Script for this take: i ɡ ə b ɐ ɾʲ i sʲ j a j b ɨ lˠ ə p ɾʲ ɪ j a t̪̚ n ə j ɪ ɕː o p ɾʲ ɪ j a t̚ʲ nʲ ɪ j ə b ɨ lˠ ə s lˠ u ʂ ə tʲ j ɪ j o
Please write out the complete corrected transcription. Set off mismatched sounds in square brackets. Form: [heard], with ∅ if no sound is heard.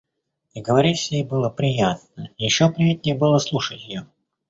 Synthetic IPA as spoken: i ɡ ə [v] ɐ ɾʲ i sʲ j [e] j b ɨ lˠ ə p ɾʲ ɪ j a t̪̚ n ə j ɪ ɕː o p ɾʲ ɪ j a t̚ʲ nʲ ɪ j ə b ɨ lˠ ə s lˠ u ʂ ə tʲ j ɪ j o